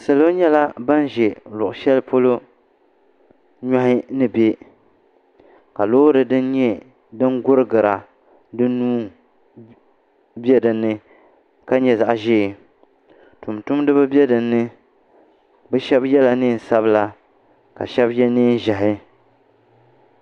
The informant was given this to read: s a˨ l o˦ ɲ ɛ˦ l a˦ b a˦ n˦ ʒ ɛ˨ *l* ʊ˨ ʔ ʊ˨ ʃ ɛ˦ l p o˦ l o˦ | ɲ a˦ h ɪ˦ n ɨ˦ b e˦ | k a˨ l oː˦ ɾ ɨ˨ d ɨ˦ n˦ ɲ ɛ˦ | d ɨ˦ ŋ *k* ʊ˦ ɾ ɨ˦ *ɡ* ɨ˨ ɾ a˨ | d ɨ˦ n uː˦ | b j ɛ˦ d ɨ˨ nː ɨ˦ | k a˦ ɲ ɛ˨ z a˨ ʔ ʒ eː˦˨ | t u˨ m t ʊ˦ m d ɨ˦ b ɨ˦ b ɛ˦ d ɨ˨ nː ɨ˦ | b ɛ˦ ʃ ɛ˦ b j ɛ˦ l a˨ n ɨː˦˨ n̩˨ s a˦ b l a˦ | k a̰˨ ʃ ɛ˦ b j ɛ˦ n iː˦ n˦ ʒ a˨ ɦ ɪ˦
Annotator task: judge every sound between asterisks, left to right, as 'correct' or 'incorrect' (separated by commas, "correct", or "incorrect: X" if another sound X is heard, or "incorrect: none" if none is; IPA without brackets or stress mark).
correct, incorrect: ɡ, correct